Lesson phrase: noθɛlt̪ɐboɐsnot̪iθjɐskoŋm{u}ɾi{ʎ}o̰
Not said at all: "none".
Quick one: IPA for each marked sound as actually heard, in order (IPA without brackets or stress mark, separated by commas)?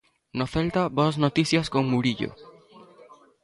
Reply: u, ʎ